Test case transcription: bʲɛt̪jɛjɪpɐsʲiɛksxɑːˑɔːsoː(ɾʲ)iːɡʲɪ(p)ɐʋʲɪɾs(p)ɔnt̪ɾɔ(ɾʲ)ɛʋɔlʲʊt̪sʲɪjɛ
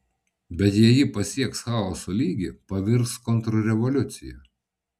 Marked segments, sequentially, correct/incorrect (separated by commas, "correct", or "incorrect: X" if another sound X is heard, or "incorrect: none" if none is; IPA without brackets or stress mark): incorrect: lʲ, correct, incorrect: k, correct